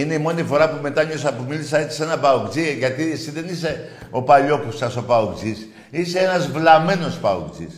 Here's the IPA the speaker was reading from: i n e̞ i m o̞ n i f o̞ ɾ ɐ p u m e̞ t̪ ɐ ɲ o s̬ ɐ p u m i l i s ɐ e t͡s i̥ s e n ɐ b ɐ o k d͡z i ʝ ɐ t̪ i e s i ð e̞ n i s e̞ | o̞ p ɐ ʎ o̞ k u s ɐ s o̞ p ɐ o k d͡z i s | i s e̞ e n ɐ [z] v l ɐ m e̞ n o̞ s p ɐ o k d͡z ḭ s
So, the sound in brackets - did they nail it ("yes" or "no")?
yes